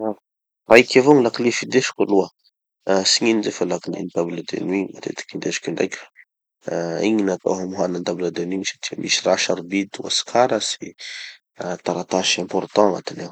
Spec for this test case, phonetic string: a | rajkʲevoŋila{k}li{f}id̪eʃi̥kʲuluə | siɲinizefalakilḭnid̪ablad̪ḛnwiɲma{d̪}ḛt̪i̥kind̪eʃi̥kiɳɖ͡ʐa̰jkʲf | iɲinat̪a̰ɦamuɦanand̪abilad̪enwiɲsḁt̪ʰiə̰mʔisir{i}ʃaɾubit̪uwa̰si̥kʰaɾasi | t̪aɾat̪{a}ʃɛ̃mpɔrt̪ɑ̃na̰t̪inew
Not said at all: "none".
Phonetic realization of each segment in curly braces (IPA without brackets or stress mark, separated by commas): k, f, t̪, a, a